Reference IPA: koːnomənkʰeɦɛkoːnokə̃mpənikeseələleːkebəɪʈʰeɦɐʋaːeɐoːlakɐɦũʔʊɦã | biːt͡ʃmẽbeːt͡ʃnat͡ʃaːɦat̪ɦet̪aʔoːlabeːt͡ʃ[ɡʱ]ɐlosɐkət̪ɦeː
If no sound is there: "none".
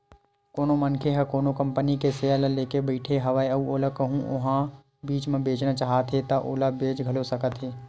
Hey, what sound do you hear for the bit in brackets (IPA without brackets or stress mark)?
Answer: ɡʱ